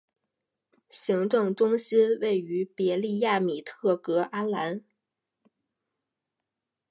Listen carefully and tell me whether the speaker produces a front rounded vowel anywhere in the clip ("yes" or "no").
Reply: yes